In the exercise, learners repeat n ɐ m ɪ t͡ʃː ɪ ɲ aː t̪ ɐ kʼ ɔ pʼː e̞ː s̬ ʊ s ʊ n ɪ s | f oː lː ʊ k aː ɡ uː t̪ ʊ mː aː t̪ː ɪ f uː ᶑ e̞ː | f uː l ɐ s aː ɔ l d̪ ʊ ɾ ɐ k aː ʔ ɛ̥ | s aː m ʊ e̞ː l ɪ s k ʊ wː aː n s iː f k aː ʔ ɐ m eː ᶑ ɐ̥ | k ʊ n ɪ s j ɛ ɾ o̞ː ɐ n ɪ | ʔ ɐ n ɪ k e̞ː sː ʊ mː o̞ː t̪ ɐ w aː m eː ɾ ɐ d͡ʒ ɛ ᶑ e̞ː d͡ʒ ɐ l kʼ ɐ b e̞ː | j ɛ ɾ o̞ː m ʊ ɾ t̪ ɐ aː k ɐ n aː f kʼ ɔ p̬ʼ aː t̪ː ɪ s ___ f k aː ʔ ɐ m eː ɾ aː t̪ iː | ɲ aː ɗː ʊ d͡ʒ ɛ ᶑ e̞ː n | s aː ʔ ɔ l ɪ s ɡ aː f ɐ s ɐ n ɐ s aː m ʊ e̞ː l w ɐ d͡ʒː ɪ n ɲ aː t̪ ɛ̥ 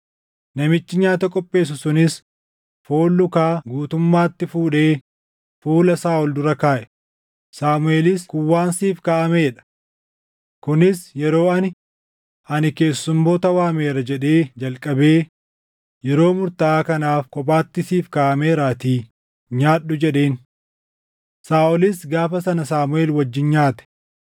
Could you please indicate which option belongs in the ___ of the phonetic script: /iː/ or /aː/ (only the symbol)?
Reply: iː